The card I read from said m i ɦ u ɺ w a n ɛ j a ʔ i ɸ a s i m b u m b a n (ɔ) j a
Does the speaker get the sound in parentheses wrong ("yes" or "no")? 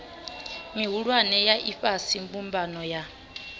no